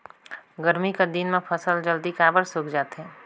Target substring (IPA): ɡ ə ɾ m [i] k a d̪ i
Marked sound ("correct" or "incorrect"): correct